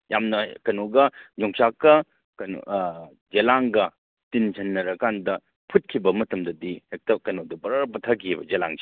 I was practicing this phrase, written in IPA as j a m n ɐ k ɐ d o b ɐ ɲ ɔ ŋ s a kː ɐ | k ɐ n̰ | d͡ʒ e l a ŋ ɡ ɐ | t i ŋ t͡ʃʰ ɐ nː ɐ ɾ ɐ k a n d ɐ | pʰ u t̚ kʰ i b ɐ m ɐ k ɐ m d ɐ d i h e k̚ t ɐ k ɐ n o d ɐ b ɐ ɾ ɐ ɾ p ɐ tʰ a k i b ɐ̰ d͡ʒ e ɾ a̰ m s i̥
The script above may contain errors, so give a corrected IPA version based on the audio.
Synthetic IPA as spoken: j a m n ɐ k ɐ n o ɡ ɐ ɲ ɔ ŋ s a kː ɐ | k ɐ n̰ | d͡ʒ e l a ŋ ɡ ɐ | t i n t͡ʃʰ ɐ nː ɐ ɾ ɐ k a n d ɐ | pʰ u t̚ kʰ i b ɐ m ɐ t ɐ m d ɐ d i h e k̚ t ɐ k ɐ n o d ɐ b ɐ ɾ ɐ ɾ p ɐ tʰ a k i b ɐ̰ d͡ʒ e l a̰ ŋ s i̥